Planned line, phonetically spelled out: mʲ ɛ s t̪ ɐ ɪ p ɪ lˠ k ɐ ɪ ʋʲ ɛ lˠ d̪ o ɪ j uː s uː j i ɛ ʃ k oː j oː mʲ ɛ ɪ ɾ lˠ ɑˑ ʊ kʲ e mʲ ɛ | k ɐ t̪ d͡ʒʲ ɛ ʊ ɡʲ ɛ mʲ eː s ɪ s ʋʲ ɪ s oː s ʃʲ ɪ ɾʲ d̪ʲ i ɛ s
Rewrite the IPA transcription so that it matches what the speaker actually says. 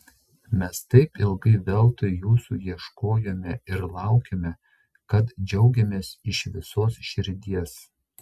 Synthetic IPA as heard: mʲ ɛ s t̪ ɐ ɪ p ɪ lˠ ɡ ɐ ɪ ʋʲ ɛ lˠ t̪ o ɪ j uː s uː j i ɛ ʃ k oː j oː mʲ ɛ ɪ ɾ lˠ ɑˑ ʊ kʲ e mʲ ɛ | k ɐ t̪ d͡ʒʲ ɛ ʊ ɡʲ ɛ mʲ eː s ɪ ʃ ʋʲ ɪ s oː s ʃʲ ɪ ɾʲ d̪ʲ i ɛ s